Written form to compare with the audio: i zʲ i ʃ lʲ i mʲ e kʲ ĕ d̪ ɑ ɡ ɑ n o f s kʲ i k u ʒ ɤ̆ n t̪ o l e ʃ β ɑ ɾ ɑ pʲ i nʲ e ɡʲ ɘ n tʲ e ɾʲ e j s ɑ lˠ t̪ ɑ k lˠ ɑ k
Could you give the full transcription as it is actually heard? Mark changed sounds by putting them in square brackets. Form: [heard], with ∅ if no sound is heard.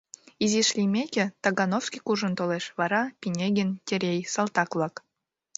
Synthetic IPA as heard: i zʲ i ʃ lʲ i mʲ e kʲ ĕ [t̪] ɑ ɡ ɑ n o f s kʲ i k u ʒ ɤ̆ n t̪ o l e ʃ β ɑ ɾ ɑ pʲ i nʲ e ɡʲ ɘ n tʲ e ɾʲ e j s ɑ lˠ t̪ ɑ k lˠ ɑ k